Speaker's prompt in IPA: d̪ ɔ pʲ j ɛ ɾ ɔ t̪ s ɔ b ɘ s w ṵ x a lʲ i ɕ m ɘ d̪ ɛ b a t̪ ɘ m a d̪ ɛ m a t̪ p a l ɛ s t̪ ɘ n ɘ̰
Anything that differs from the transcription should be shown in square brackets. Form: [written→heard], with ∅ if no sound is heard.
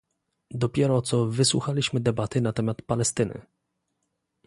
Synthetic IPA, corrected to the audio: d̪ ɔ pʲ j ɛ ɾ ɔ t̪ s ɔ [b→v] ɘ s w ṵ x a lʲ i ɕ m ɘ d̪ ɛ b a t̪ ɘ [m→n] a [d̪→t̪] ɛ m a t̪ p a l ɛ s t̪ ɘ n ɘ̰